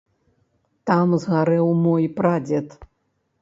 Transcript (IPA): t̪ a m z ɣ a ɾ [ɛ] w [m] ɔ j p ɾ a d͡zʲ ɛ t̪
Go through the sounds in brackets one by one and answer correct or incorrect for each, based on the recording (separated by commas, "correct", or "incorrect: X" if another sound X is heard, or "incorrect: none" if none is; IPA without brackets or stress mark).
correct, correct